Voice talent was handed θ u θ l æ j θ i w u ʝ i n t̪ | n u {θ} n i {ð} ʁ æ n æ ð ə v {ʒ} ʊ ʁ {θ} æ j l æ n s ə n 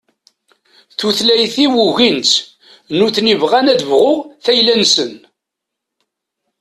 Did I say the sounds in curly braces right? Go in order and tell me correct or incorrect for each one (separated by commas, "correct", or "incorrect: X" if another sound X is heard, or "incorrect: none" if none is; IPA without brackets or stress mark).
correct, incorrect: v, incorrect: ʁ, correct